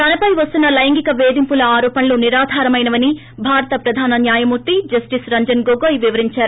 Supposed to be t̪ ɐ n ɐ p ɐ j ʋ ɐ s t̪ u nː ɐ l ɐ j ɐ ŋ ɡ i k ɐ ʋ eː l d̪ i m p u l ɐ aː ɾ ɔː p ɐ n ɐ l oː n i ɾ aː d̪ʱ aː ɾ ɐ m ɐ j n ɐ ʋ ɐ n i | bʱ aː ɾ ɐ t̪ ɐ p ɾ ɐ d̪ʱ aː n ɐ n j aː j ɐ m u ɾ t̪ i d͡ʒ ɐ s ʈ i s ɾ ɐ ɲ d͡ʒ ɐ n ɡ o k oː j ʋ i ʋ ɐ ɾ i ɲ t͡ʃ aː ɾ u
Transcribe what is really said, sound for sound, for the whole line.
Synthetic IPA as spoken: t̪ ɐ n ɐ p ɐ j ʋ ɐ s t̪ u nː ɐ l ɐ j ɐ ŋ ɡ i k ɐ ʋ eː d̪ i m p u l ɐ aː ɾ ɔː p ɐ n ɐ l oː n i ɾ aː d̪ʱ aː ɾ ɐ m ɐ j n ɐ ʋ ɐ n i | bʱ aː ɾ ɐ t̪ ɐ p ɾ ɐ d̪ʱ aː n ɐ n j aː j ɐ m u ɾ t̪ i d͡ʒ ɐ s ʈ i s ɾ ɐ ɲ d͡ʒ ɐ n ɡ o ɡ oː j ʋ i ʋ ɐ ɾ i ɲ t͡ʃ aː ɾ u